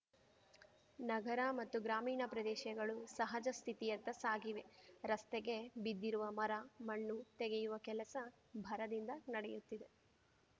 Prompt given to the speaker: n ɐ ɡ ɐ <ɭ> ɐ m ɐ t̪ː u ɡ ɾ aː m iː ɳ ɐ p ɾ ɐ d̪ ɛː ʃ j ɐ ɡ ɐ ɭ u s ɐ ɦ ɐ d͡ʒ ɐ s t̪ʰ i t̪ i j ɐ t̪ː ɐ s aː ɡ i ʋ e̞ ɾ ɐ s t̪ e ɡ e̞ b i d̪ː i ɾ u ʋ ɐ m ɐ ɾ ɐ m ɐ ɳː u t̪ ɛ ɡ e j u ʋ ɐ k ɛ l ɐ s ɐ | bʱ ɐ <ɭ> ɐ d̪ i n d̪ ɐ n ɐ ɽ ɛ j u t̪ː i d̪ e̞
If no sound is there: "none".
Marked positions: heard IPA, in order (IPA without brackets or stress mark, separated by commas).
ɾ, ɾ